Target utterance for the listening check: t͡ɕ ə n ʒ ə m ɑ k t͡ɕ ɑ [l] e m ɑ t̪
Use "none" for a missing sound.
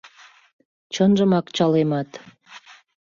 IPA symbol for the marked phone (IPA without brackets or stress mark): l